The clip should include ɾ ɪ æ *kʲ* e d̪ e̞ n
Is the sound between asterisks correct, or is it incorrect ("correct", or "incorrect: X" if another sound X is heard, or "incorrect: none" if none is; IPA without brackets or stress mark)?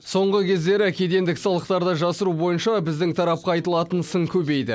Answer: correct